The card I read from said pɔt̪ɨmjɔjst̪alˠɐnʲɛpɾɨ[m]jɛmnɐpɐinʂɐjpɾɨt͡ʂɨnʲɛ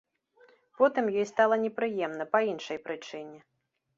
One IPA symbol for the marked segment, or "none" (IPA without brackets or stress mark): none